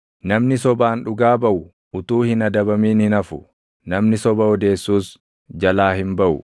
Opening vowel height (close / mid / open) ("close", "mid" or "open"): open